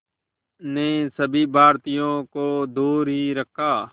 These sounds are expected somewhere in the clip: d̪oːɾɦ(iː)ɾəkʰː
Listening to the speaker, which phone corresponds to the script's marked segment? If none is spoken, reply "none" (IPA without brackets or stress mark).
iː